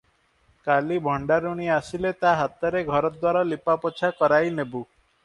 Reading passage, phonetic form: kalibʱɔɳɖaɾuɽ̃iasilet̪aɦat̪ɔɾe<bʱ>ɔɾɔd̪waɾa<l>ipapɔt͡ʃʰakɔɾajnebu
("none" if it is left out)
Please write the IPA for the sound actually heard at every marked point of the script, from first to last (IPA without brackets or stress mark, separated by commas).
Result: ɡʱ, l